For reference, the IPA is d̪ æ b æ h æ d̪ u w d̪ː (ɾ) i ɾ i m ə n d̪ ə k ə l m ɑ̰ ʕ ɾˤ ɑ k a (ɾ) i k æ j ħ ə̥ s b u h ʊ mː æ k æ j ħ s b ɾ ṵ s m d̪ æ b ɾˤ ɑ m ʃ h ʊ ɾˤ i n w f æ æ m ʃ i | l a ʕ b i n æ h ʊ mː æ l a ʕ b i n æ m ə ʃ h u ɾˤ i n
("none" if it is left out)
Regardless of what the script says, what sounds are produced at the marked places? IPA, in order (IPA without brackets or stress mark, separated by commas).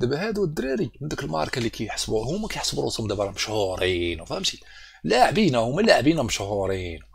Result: ɾ, l